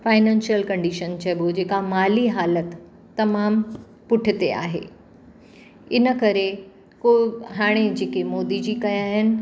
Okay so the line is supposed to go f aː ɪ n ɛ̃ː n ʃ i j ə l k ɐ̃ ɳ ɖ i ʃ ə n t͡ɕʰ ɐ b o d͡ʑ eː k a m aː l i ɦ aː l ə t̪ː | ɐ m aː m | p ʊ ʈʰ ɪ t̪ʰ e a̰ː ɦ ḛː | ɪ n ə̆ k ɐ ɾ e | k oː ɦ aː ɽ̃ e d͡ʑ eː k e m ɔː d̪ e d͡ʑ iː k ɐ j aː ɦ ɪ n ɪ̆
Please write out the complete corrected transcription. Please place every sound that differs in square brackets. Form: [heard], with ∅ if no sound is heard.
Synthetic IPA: f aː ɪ n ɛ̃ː n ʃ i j ə l k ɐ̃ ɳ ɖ i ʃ ə n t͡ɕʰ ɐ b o d͡ʑ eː k a m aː l i ɦ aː l ə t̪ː | ɐ m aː m | p ʊ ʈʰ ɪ [t̪] e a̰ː ɦ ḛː | ɪ n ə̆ k ɐ ɾ e | k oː ɦ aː ɽ̃ e d͡ʑ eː k e m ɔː d̪ [i] d͡ʑ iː k ɐ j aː ɦ ɪ n ɪ̆

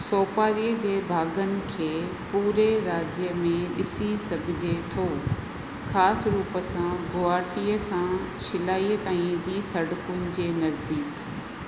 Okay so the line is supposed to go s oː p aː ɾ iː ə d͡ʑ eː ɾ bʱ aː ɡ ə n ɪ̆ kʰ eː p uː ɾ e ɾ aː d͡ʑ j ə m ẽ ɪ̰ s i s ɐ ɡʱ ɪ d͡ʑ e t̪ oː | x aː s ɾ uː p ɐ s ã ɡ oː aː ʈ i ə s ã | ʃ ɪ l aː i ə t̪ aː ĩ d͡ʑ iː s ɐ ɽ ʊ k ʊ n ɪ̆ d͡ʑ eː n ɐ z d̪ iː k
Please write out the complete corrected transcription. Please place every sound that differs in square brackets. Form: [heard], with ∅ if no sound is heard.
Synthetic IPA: s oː p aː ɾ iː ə d͡ʑ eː [∅] bʱ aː ɡ ə n ɪ̆ kʰ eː p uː ɾ e ɾ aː d͡ʑ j ə m ẽ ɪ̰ s i s ɐ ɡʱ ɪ d͡ʑ e [t̪ʰ] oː | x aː s ɾ uː p [ə] s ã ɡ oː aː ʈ i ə s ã | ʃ ɪ l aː i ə t̪ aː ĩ d͡ʑ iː s ɐ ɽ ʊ k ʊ n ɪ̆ d͡ʑ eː n ɐ z d̪ iː k

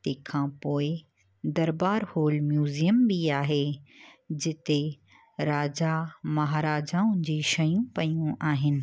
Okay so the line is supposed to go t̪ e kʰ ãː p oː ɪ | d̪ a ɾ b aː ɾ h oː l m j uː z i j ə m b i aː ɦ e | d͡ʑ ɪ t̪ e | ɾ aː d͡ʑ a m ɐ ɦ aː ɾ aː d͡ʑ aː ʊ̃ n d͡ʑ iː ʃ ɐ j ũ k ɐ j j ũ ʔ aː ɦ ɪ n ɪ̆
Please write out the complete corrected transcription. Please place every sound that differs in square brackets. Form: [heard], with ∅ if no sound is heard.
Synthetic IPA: t̪ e kʰ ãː p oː ɪ | d̪ [ɐ] ɾ b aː ɾ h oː l m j uː z i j ə m b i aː ɦ e | d͡ʑ ɪ t̪ e | ɾ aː d͡ʑ a m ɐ ɦ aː ɾ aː d͡ʑ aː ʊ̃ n d͡ʑ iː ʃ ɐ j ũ [p] ɐ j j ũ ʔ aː ɦ ɪ n ɪ̆

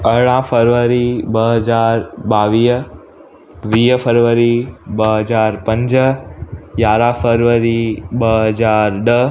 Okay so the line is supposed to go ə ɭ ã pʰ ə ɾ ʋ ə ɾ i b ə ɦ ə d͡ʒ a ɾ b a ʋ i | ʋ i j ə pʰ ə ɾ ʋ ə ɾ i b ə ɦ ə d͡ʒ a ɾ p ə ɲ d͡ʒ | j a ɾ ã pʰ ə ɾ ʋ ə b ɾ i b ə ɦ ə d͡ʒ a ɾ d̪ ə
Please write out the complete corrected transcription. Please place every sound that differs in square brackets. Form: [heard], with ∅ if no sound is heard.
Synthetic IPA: ə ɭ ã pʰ ə ɾ ʋ ə ɾ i b ə ɦ ə d͡ʒ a ɾ b a ʋ i | ʋ i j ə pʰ ə ɾ ʋ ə ɾ i b ə ɦ ə d͡ʒ a ɾ p ə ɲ d͡ʒ | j a ɾ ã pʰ ə ɾ ʋ ə [∅] ɾ i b ə ɦ ə d͡ʒ a ɾ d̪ ə

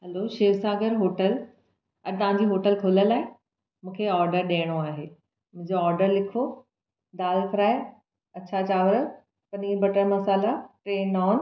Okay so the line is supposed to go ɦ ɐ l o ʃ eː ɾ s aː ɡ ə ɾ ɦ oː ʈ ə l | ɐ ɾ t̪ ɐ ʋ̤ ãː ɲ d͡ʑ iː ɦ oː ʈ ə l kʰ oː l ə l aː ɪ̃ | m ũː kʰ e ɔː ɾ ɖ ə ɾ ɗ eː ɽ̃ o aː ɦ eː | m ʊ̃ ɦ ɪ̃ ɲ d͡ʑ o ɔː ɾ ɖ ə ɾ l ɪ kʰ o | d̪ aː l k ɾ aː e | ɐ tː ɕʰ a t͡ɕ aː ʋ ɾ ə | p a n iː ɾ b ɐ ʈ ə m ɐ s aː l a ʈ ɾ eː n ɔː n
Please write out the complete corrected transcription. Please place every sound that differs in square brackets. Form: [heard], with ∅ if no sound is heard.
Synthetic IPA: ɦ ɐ l o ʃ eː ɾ s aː ɡ ə ɾ ɦ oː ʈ ə l | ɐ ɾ t̪ ɐ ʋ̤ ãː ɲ d͡ʑ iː ɦ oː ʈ ə l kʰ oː l ə l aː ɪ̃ | m ũː kʰ e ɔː ɾ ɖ ə ɾ ɗ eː ɽ̃ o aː ɦ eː | m ʊ̃ ɦ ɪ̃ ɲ d͡ʑ o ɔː ɾ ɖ ə ɾ l ɪ kʰ o | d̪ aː l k ɾ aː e | ɐ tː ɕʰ a t͡ɕ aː ʋ ɾ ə | p [ɐ] n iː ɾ b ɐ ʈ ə m ɐ s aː l a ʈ ɾ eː n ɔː n

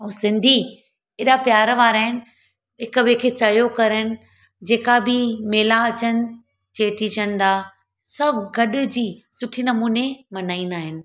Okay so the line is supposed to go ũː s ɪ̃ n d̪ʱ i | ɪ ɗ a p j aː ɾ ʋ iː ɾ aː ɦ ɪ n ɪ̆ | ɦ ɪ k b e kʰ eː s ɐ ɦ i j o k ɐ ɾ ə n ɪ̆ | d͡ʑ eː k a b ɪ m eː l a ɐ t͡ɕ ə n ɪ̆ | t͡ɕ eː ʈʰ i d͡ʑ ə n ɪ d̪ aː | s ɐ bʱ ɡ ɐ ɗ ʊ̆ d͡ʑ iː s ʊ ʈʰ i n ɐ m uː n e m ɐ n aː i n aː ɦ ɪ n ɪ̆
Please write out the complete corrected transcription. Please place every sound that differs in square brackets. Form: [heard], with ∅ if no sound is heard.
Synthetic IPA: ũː s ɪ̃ n d̪ʱ i | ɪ ɗ a p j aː ɾ ʋ [aː] ɾ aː ɦ ɪ n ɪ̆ | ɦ ɪ k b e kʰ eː s ɐ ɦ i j o k ɐ ɾ ə n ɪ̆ | d͡ʑ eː k a b ɪ m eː l a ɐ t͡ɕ ə n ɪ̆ | t͡ɕ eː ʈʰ i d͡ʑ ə n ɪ d̪ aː | s ɐ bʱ ɡ ɐ ɗ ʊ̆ d͡ʑ iː s ʊ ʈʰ i n ɐ m uː n e m ɐ n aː i n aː ɦ ɪ n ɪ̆

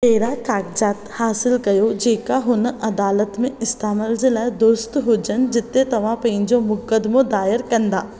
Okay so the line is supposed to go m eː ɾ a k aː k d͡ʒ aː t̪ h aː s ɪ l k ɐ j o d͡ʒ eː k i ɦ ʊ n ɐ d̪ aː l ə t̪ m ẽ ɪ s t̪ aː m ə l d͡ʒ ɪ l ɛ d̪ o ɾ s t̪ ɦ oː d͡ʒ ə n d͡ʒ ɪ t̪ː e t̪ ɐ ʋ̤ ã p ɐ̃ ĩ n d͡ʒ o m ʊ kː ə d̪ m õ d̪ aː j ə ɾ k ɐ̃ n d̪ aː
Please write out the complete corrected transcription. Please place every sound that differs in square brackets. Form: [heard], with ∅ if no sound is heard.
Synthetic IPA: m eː ɾ a k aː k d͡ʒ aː t̪ h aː s ɪ l k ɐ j o d͡ʒ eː k [a] ɦ ʊ n ɐ d̪ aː l ə t̪ m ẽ ɪ s t̪ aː m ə l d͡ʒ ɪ l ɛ d̪ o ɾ s t̪ ɦ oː d͡ʒ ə n d͡ʒ ɪ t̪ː e t̪ ɐ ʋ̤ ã p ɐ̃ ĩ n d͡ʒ o m ʊ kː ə d̪ m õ d̪ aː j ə ɾ k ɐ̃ n d̪ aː

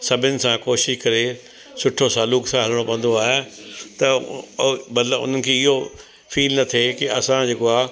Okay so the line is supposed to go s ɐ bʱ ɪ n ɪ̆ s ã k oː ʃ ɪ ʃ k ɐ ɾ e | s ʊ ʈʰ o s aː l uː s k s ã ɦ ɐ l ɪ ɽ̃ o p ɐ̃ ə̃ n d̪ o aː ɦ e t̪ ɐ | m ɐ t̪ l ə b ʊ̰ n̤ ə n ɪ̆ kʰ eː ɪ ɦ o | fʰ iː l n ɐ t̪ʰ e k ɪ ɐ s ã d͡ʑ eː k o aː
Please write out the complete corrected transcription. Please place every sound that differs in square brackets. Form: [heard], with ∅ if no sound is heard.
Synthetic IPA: s ɐ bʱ ɪ n ɪ̆ s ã k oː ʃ ɪ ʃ k ɐ ɾ e | s ʊ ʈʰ o s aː l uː [∅] k s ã ɦ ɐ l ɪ ɽ̃ o p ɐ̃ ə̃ n d̪ o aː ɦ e t̪ ɐ | m ɐ t̪ l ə b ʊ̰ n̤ ə n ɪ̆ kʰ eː ɪ ɦ o | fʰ iː l n ɐ t̪ʰ e k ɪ ɐ s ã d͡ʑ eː k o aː

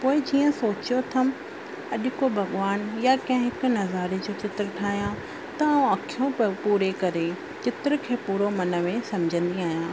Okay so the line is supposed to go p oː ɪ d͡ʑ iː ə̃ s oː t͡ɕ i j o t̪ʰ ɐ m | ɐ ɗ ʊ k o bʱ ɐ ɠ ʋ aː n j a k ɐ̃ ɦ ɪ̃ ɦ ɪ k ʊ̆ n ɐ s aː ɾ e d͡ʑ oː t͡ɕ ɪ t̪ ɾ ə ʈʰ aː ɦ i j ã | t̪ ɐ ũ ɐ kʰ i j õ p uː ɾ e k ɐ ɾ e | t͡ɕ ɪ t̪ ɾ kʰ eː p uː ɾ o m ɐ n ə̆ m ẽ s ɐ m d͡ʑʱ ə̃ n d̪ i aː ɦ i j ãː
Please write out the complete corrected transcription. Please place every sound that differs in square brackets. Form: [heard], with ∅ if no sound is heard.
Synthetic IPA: p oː ɪ d͡ʑ iː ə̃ s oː t͡ɕ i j o t̪ʰ ɐ m | ɐ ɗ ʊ k o bʱ ɐ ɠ ʋ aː n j a k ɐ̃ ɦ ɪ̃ ɦ ɪ k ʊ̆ n ɐ [z] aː ɾ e d͡ʑ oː t͡ɕ ɪ t̪ ɾ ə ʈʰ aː ɦ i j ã | t̪ ɐ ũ ɐ kʰ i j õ p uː ɾ e k ɐ ɾ e | t͡ɕ ɪ t̪ ɾ kʰ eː p uː ɾ o m ɐ n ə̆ m ẽ s ɐ m d͡ʑʱ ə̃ n d̪ i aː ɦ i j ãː

